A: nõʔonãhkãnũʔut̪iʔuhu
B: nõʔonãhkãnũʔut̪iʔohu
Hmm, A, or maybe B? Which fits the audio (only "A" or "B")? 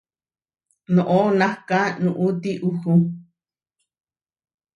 A